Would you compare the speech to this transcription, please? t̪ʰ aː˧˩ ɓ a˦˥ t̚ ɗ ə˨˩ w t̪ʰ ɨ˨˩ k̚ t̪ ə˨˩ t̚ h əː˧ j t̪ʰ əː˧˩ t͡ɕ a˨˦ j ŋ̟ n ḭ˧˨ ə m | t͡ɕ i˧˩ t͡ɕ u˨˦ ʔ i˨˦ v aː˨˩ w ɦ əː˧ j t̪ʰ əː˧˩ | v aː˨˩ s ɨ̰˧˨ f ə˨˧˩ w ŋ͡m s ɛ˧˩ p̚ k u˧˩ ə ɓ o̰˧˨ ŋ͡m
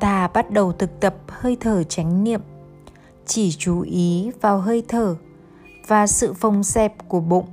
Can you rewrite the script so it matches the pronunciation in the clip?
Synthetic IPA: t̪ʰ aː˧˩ ɓ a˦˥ t̚ ɗ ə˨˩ w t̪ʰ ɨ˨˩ k̚ t̪ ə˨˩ p̚ h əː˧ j t̪ʰ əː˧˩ t͡ɕ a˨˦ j ŋ̟ n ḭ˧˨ ə m | t͡ɕ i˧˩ t͡ɕ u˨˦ ʔ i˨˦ v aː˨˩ w ɦ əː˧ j t̪ʰ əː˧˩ | v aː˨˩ s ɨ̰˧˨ f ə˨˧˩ w ŋ͡m s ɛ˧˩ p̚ k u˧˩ ə ɓ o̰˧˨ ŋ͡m